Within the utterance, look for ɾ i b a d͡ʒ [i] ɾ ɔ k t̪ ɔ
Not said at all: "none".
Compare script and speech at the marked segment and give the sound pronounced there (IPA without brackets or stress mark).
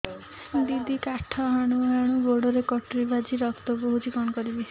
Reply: i